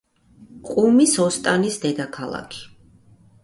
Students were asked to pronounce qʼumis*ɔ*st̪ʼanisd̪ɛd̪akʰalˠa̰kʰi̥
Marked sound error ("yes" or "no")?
no